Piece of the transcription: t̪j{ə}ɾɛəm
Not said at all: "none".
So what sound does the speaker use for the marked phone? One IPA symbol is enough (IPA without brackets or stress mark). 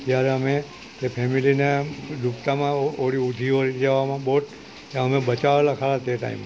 a